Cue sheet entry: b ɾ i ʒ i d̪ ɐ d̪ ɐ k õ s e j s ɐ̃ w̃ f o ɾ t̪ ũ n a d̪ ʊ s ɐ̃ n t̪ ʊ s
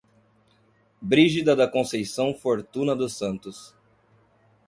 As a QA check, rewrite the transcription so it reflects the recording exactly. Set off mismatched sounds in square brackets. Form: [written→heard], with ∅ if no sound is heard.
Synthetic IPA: b ɾ i ʒ i d̪ ɐ d̪ ɐ k õ s e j s ɐ̃ w̃ f o ɾ t̪ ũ n [a→ɐ] d̪ ʊ s ɐ̃ n t̪ ʊ s